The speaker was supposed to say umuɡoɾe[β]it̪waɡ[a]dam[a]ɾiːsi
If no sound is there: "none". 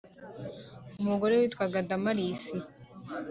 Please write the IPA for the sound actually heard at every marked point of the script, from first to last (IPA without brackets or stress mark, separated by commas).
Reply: w, a, a